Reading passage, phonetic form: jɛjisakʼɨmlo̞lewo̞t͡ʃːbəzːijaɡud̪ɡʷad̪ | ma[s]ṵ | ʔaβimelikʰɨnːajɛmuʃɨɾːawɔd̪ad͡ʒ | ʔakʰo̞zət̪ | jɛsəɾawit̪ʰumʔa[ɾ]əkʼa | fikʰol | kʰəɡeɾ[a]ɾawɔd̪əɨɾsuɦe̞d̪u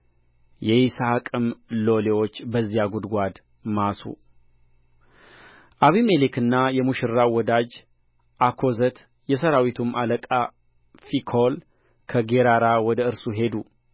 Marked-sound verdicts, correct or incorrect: correct, incorrect: l, correct

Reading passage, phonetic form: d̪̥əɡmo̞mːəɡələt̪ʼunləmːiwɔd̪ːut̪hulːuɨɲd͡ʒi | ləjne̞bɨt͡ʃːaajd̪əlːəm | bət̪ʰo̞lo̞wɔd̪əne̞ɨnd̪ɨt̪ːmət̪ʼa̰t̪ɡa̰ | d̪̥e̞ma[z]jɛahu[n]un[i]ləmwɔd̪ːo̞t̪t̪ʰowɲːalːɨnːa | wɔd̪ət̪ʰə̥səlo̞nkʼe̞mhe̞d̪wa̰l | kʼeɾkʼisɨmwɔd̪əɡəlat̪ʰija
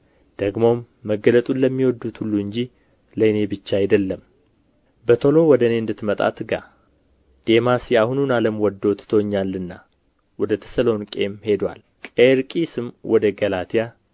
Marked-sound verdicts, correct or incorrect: incorrect: s, correct, incorrect: a

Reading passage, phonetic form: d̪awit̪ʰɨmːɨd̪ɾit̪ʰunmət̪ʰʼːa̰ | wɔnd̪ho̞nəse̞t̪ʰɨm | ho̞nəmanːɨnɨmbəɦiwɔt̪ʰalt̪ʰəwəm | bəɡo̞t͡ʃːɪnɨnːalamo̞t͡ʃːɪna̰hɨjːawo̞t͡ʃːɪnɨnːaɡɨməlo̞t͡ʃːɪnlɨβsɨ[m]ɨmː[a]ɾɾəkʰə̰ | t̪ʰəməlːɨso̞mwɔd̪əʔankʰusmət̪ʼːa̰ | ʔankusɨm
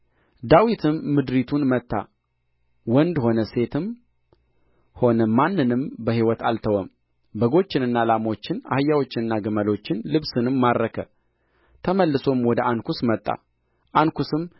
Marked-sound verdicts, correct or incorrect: incorrect: n, correct

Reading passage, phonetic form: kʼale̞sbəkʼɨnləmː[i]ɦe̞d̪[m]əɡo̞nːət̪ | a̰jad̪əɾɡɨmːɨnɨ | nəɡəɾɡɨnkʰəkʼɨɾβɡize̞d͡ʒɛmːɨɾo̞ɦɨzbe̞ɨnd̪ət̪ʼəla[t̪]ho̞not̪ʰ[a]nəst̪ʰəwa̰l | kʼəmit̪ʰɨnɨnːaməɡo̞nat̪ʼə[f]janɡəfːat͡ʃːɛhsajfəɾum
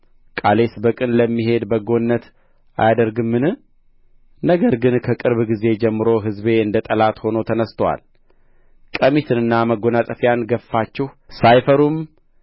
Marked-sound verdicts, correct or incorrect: correct, incorrect: b, correct, incorrect: ə, correct

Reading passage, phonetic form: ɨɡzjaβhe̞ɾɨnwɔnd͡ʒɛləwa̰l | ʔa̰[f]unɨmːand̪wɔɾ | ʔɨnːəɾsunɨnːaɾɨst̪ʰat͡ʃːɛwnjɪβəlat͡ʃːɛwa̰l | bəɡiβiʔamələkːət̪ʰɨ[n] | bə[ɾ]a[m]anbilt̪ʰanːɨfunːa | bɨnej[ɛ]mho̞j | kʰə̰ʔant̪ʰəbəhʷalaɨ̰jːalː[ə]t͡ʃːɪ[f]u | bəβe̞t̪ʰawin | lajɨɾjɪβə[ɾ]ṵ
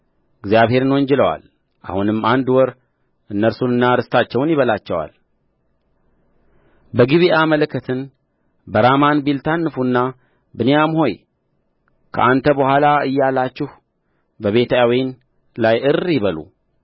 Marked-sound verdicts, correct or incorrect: incorrect: h, correct, correct, correct, incorrect: a, incorrect: a, incorrect: h, incorrect: l

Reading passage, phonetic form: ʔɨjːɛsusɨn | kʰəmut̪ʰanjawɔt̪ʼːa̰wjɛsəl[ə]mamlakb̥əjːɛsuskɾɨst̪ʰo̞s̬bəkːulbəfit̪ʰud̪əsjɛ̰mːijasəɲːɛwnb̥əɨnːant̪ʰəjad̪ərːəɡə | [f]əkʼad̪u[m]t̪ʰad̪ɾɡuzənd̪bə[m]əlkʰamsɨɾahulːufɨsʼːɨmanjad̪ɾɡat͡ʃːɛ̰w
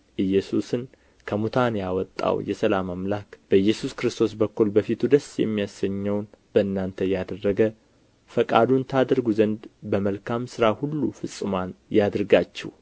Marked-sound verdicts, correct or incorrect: incorrect: a, correct, incorrect: n, correct

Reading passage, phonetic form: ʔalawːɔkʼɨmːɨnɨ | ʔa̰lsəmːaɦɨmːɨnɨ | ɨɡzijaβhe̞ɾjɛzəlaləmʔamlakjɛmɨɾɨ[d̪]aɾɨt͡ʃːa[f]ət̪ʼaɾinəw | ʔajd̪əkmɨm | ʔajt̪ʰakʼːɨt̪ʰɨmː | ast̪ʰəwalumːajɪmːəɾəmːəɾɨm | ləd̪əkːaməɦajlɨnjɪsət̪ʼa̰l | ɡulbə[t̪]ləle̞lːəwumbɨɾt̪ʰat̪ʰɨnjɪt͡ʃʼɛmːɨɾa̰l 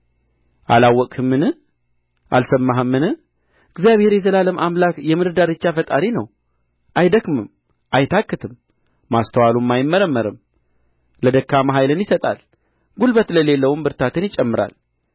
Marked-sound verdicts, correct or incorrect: correct, correct, correct

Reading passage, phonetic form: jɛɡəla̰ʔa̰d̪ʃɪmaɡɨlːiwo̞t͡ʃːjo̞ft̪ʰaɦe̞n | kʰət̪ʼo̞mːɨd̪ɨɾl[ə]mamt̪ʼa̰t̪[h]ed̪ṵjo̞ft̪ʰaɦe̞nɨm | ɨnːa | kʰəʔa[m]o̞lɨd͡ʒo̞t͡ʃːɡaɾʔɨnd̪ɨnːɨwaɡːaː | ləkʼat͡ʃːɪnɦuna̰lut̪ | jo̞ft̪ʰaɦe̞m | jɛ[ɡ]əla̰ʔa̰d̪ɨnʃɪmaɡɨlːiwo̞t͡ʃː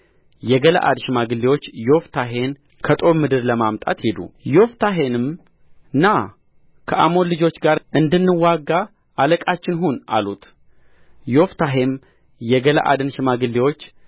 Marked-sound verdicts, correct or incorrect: correct, correct, correct, correct

